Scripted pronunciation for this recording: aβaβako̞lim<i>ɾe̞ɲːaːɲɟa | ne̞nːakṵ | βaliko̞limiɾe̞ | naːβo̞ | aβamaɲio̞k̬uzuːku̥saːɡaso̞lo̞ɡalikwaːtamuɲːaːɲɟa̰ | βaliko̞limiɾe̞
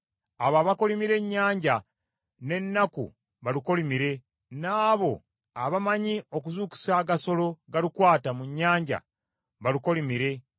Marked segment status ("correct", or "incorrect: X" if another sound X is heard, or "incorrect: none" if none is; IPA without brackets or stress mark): correct